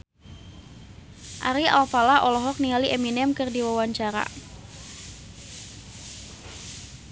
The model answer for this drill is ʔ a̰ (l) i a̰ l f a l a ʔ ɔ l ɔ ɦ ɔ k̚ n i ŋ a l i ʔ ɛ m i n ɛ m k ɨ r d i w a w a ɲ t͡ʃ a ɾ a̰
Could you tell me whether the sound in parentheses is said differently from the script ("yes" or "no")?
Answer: yes